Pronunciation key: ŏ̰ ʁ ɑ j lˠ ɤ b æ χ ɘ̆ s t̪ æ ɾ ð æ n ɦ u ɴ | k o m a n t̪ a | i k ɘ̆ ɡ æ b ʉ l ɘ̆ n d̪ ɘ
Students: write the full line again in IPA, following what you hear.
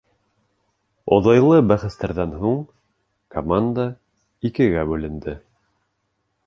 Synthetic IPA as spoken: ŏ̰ ð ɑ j lˠ ɤ b æ χ ɘ̆ s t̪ æ ɾ ð æ n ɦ u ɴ | k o m a n d̪ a | i k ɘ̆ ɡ æ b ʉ l ɘ̆ n d̪ ɘ